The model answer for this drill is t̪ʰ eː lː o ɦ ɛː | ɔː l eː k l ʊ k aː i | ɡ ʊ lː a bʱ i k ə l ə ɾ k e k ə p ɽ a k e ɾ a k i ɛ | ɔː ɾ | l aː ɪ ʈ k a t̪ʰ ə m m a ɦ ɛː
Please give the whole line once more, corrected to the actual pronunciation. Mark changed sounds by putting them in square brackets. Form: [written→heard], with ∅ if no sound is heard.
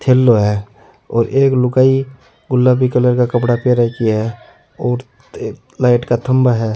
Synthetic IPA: t̪ʰ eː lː o ɦ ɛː | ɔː [l→ɾ] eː k l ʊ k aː i | ɡ ʊ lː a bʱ i k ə l ə ɾ k [e→a] k ə p ɽ a [k→p] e ɾ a k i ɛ | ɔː ɾ | l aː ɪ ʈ k a t̪ʰ ə m [m→b] a ɦ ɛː